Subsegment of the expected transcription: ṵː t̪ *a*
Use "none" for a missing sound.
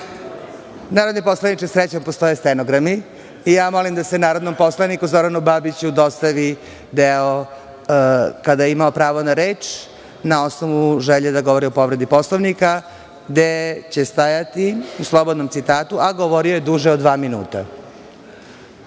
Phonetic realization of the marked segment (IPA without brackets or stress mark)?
a